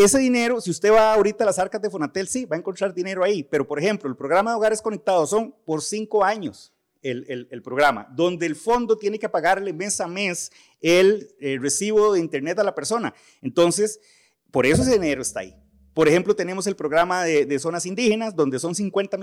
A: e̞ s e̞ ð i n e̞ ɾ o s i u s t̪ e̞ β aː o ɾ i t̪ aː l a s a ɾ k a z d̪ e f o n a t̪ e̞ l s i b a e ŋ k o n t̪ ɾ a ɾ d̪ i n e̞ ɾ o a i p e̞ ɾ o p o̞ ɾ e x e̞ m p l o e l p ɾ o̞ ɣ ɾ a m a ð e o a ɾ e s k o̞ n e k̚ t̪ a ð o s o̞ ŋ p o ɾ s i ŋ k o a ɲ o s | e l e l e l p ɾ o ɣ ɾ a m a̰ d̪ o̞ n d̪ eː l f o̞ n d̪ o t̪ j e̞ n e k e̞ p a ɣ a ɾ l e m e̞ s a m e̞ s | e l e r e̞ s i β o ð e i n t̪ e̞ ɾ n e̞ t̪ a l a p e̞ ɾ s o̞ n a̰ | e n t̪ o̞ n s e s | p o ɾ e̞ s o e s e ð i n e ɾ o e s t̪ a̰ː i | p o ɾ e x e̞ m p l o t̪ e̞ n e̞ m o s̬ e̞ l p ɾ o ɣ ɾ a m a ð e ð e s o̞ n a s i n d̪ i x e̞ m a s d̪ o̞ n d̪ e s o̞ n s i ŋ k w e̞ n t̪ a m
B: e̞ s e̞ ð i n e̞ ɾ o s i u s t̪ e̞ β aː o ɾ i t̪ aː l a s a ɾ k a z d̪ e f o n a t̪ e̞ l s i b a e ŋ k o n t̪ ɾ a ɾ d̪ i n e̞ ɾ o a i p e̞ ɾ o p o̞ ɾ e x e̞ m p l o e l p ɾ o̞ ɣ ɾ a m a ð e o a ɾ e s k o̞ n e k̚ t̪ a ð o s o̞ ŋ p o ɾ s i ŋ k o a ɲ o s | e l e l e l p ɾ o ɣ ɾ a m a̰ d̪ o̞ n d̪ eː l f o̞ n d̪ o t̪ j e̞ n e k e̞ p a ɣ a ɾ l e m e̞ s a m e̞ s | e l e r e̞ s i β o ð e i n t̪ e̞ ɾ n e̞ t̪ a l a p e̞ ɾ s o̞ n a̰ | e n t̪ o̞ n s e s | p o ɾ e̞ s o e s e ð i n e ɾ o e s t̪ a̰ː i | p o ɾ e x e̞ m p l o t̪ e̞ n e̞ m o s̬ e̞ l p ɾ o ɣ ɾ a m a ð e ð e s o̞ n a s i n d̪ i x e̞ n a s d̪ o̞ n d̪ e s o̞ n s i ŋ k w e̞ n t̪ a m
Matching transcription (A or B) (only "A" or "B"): B